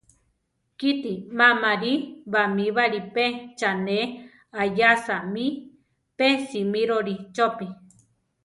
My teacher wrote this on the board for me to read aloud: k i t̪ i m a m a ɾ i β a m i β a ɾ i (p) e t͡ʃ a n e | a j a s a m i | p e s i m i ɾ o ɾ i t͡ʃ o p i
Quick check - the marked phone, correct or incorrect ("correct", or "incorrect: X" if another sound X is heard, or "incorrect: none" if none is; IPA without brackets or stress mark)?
correct